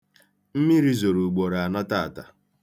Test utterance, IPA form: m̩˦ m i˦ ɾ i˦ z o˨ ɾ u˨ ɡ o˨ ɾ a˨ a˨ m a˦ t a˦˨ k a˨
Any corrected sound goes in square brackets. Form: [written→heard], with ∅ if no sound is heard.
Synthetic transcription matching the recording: m̩˦ m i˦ ɾ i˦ z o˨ ɾ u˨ [ɡ→ɡ͡b] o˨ ɾ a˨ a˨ [m→n] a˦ t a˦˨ [k→t] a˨